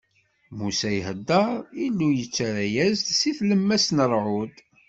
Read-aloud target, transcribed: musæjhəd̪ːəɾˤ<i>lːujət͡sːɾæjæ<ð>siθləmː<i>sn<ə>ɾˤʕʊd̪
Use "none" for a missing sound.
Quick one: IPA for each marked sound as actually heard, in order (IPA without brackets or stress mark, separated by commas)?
i, z, æ, ə